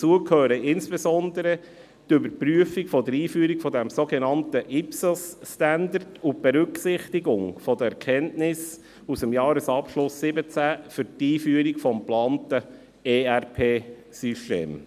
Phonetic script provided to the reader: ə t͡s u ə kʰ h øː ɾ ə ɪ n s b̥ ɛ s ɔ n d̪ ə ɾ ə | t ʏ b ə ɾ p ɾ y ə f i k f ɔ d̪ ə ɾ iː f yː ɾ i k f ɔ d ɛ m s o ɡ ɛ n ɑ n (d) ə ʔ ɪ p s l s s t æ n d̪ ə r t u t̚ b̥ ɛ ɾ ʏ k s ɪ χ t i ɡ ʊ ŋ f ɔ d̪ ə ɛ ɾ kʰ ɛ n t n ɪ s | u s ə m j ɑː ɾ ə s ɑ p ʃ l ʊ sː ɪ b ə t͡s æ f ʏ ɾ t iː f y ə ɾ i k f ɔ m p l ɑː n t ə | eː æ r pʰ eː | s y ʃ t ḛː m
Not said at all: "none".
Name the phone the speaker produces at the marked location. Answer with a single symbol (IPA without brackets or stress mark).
t